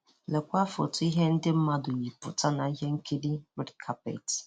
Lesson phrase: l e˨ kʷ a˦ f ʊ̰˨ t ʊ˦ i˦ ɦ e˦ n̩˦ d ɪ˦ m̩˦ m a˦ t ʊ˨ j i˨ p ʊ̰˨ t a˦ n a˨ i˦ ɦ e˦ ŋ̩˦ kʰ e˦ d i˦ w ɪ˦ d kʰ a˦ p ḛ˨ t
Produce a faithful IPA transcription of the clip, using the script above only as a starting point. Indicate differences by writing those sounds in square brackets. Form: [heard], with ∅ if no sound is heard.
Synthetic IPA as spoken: l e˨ kʷ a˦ f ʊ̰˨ t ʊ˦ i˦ ɦ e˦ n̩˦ d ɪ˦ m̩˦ m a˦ [d] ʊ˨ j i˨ p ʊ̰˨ t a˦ n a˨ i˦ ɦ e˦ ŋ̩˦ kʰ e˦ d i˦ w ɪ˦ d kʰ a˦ p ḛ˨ t